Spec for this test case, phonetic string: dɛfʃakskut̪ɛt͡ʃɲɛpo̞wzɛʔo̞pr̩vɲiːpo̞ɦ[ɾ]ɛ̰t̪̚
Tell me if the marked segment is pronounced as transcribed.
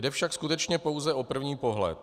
no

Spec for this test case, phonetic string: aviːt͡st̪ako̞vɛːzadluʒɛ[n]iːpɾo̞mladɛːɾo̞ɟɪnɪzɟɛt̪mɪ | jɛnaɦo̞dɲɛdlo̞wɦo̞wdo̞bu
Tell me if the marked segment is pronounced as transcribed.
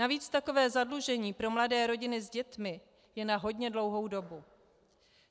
no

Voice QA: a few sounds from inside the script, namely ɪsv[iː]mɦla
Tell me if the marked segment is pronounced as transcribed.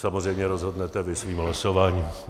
yes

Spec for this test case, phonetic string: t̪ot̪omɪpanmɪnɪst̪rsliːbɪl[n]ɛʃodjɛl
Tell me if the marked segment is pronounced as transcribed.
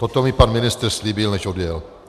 yes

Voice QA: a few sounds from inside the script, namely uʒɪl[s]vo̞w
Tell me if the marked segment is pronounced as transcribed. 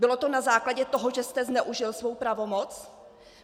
yes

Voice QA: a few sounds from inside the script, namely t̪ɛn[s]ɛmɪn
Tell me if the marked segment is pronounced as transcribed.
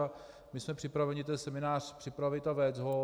yes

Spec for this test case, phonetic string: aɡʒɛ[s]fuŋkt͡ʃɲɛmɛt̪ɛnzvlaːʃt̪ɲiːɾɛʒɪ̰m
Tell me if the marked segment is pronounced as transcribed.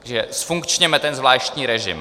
yes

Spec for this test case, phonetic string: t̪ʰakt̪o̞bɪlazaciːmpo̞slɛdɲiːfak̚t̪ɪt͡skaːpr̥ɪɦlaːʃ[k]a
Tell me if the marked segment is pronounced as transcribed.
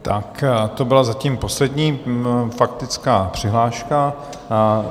yes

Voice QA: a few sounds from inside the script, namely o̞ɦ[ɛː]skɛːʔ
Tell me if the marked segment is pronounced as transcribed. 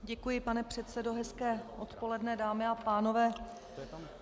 no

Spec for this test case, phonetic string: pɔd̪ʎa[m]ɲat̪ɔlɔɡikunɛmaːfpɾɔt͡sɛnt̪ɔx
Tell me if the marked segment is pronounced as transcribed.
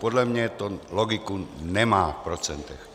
yes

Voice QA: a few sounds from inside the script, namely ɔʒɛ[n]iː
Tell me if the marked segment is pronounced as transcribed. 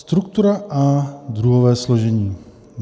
no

